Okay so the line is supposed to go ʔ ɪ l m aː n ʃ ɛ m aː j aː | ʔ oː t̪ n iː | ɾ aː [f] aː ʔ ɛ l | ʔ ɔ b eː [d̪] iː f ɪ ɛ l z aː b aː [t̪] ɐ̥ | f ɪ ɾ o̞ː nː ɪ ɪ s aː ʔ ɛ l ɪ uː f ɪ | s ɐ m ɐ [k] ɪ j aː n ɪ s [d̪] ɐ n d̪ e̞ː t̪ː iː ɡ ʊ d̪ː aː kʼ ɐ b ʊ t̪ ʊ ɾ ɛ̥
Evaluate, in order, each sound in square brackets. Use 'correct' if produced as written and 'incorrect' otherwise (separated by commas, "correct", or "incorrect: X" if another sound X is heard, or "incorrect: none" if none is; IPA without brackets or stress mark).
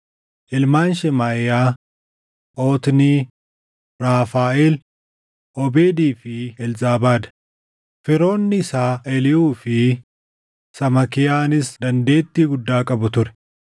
correct, correct, incorrect: d̪, correct, correct